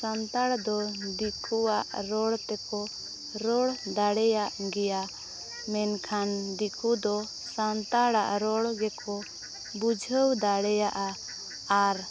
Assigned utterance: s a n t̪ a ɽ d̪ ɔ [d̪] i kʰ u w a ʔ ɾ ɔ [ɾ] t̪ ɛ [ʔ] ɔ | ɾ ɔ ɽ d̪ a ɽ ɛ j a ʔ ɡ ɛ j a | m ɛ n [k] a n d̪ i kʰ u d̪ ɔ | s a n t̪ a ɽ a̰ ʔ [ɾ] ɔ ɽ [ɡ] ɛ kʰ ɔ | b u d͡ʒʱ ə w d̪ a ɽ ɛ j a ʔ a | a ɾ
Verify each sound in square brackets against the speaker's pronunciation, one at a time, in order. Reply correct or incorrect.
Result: correct, incorrect, incorrect, incorrect, correct, correct

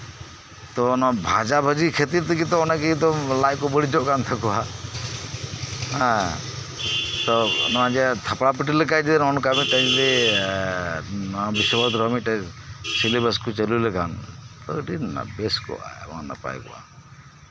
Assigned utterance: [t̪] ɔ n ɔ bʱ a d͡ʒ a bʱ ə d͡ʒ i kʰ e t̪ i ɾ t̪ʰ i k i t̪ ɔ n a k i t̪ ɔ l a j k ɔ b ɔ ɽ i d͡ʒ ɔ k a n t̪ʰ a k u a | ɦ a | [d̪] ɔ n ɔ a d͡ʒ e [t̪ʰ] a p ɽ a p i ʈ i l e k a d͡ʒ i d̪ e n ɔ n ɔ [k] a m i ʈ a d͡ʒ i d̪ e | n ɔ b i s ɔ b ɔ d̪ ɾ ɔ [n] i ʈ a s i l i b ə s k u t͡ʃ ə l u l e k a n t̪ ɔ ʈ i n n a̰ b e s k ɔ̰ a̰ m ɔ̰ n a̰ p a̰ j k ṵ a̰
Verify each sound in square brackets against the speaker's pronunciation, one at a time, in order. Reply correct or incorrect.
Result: correct, incorrect, correct, correct, incorrect

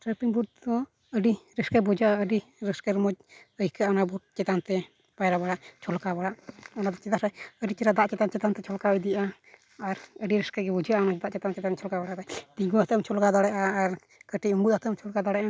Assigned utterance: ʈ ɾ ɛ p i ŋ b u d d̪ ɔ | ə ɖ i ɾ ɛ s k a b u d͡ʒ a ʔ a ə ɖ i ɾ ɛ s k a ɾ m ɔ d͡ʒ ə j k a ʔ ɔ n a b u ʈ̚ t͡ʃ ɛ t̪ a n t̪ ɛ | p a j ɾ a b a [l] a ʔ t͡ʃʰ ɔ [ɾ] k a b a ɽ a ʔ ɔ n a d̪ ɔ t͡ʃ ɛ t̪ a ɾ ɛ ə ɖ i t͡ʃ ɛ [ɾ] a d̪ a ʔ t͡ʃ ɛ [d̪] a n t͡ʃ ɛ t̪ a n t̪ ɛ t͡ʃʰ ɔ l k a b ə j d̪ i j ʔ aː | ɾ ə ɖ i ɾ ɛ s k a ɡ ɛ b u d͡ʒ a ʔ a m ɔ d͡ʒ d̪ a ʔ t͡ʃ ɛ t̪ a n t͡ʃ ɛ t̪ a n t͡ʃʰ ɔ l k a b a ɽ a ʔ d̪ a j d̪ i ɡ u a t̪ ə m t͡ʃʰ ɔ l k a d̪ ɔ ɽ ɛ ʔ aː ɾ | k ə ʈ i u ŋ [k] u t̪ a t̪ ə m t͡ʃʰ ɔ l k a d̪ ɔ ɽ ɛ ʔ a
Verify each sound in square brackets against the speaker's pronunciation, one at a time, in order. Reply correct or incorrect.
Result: incorrect, incorrect, correct, incorrect, incorrect

